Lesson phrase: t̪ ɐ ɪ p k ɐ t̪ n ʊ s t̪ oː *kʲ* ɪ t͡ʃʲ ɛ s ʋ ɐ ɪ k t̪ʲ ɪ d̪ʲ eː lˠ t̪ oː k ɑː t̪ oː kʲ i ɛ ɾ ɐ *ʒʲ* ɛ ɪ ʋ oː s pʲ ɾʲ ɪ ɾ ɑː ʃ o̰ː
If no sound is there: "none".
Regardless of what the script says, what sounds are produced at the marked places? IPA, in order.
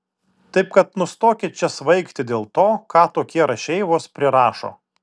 kʲ, ʃʲ

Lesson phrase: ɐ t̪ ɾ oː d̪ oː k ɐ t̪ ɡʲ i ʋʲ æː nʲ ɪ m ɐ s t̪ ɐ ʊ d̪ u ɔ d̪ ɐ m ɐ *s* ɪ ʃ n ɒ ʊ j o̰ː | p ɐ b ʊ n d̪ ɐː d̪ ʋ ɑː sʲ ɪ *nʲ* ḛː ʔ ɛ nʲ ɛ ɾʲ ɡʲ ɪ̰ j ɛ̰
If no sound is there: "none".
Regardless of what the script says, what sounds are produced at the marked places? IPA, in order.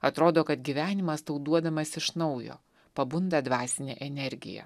s, nʲ

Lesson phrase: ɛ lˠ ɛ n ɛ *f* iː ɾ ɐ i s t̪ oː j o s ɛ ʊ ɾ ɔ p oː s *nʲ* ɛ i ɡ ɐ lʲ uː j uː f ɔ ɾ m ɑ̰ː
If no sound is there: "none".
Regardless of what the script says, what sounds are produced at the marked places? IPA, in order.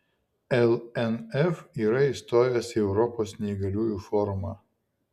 f, nʲ

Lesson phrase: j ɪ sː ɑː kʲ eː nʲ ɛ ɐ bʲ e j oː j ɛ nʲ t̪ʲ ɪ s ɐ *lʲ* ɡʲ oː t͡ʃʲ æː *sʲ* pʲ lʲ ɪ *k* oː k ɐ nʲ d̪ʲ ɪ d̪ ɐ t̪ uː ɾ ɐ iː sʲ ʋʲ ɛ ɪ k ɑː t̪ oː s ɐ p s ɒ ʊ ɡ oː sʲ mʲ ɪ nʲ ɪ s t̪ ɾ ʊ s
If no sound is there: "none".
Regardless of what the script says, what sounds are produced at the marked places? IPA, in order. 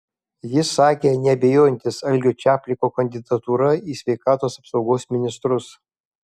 lʲ, none, k

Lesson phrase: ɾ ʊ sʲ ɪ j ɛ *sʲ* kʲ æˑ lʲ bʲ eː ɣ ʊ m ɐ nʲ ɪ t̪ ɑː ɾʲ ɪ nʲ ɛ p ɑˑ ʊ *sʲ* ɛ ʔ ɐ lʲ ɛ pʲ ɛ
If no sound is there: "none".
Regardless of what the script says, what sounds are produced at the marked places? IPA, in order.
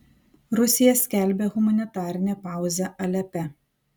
sʲ, zʲ

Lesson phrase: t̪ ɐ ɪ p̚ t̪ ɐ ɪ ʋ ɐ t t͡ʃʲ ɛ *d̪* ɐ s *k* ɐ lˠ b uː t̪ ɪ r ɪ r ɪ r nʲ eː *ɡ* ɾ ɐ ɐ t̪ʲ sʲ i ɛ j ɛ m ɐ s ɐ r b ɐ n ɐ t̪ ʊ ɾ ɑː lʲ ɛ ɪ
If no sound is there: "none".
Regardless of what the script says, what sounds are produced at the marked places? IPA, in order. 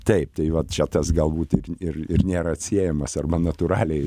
t̪, ɡ, none

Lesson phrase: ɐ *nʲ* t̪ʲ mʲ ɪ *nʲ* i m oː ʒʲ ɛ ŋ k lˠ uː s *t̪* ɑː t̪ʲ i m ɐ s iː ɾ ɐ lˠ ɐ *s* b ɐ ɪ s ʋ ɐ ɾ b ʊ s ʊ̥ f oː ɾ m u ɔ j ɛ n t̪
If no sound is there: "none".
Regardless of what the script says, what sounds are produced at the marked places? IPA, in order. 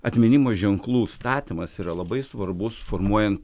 none, nʲ, t̪, none

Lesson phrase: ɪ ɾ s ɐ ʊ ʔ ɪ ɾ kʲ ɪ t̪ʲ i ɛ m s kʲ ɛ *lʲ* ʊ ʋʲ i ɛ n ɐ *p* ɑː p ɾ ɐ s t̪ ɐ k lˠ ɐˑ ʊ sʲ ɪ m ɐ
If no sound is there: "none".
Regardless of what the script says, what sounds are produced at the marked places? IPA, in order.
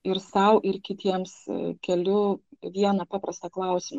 lʲ, p

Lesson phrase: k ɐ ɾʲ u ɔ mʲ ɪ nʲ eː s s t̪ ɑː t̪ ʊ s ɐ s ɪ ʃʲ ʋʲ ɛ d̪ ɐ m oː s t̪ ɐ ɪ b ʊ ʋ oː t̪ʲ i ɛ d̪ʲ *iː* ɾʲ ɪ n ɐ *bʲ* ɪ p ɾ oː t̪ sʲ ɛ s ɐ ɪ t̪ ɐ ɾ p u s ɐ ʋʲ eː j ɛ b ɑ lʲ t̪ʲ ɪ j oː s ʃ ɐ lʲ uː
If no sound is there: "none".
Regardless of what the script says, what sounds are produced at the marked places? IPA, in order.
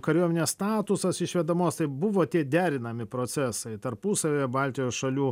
æː, mʲ

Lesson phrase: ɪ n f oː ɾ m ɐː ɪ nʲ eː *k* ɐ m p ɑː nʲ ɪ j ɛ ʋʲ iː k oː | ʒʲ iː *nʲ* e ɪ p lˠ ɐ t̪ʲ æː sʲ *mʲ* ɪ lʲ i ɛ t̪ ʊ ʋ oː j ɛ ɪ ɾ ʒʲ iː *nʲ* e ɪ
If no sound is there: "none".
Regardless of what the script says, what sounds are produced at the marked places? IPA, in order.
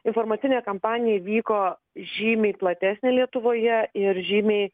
k, mʲ, nʲ, mʲ

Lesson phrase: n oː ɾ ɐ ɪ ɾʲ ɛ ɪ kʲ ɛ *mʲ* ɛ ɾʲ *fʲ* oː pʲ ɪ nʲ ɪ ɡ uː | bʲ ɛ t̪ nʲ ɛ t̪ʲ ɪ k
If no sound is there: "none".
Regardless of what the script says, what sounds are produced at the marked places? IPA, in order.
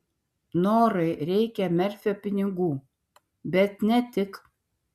mʲ, fʲ

